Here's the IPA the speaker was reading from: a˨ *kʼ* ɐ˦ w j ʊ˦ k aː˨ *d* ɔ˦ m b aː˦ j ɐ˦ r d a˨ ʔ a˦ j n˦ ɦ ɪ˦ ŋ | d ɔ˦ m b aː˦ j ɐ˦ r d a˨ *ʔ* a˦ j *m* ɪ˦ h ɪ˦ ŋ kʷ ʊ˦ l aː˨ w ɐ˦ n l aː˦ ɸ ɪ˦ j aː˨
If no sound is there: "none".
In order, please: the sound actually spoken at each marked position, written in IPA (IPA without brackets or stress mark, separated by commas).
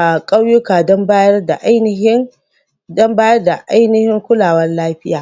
kʼ, d, ʔ, n